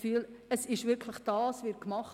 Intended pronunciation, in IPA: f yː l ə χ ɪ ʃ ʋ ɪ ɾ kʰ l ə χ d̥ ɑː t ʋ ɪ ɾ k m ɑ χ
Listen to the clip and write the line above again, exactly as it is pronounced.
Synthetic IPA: f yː l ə s ɪ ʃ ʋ ɪ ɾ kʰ l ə χ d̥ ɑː s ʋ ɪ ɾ k m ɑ χ

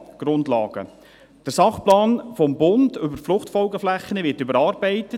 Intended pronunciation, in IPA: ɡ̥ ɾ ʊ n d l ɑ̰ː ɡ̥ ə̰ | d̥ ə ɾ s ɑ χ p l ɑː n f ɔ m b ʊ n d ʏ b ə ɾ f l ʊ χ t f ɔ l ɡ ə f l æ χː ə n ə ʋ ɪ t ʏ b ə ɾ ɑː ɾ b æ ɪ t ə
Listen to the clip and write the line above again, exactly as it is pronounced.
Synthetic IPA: ɡ̥ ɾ ʊ n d l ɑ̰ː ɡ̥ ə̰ | d̥ ə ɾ s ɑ χ p l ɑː n f ɔ m b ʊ n d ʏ b ə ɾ f l ʊ χ t f ɔ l ɡ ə f l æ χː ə n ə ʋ ɪ t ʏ b ə ɾ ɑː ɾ b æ ɪ t ə

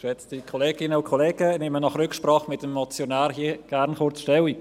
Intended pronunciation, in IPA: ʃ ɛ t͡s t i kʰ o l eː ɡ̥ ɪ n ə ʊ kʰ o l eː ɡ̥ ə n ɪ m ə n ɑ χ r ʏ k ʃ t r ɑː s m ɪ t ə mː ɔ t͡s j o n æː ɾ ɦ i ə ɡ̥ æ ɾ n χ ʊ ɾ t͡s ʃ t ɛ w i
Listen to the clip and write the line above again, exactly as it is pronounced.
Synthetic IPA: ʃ ɛ t͡s t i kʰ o l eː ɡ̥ ɪ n ə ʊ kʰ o l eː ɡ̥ ə n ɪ m ə n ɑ χ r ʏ k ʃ p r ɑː χ m ɪ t ə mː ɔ t͡s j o n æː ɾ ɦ i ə ɡ̥ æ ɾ n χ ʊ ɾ t͡s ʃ t ɛ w i

